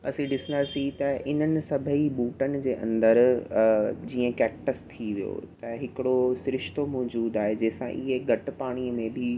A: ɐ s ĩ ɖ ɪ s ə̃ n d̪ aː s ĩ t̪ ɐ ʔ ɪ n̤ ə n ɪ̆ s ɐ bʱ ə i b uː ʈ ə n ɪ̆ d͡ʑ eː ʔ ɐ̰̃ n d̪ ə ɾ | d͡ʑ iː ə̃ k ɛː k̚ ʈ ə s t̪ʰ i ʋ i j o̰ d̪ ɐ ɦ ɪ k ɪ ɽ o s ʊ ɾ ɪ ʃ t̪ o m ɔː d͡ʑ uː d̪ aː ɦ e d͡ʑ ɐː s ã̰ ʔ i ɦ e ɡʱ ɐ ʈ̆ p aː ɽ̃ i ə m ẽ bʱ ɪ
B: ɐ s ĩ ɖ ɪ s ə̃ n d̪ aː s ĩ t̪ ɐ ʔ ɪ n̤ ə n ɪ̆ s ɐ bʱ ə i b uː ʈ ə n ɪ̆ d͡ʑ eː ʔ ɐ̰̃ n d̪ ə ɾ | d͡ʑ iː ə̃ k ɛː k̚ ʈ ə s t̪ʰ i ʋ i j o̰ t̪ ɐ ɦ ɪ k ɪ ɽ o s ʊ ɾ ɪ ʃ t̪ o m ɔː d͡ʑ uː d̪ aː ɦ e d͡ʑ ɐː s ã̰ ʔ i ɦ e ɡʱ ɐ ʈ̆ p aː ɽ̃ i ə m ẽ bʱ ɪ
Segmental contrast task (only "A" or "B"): B